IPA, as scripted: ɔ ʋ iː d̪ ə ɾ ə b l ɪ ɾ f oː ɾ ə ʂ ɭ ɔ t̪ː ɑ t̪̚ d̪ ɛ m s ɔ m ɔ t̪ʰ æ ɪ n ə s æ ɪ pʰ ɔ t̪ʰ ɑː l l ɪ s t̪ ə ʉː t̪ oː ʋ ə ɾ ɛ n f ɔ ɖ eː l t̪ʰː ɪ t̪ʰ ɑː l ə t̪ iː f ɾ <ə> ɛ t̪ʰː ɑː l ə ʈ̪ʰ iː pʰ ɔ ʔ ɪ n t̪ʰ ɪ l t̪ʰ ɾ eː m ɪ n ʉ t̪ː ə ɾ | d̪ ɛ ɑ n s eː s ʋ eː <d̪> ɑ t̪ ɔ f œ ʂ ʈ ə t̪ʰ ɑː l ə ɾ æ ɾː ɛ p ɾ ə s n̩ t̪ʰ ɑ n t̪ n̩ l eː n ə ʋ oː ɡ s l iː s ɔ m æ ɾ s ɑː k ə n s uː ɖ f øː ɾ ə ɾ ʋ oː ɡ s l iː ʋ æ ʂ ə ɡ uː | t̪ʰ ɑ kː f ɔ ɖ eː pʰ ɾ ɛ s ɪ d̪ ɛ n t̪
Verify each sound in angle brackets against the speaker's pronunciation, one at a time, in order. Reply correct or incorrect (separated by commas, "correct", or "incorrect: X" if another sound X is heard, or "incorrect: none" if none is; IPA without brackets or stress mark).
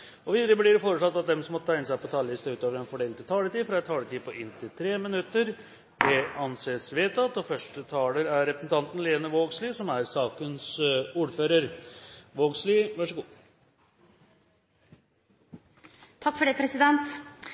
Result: incorrect: ɑ, incorrect: t̪